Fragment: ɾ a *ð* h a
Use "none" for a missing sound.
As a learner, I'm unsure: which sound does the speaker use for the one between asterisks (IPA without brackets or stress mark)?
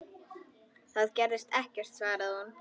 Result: ð